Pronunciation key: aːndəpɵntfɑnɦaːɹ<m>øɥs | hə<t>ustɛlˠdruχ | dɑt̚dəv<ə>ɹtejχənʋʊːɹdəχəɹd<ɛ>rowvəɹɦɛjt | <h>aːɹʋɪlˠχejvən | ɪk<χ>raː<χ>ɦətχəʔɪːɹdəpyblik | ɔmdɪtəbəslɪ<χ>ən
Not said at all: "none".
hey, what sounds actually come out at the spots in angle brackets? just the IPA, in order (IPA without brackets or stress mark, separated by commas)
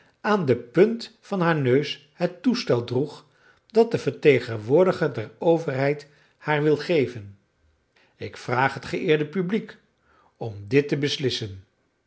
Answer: n, t, ə, ɛ, h, f, χ, s